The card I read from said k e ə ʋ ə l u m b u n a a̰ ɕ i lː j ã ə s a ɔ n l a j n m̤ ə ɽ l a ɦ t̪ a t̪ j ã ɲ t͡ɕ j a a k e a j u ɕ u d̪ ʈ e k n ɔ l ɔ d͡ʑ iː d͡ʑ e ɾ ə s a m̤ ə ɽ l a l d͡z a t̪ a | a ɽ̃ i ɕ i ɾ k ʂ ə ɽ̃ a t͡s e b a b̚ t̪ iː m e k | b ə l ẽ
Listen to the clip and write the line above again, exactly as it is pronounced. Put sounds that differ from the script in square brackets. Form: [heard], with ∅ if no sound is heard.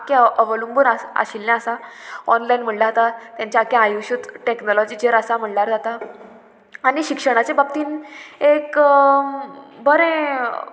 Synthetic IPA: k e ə ʋ ə l u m b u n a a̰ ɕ i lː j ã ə s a ɔ n l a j n m̤ ə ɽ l a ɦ t̪ a t̪ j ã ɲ t͡ɕ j a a k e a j u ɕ u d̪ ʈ e k n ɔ l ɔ d͡ʑ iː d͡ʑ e ɾ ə s a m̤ ə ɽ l a [ɾ] d͡z a t̪ a | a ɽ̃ i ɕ i [∅] k ʂ ə ɽ̃ a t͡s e b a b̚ t̪ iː [n] e k | b ə [ɾ] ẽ